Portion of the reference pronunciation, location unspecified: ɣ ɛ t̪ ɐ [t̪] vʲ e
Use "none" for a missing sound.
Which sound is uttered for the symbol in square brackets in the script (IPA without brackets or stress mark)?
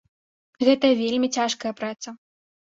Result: none